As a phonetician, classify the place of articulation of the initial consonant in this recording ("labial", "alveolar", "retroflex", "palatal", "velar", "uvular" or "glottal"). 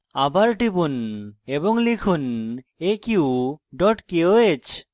labial